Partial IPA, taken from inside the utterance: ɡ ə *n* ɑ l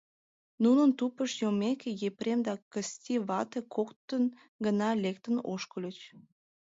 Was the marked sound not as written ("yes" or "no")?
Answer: no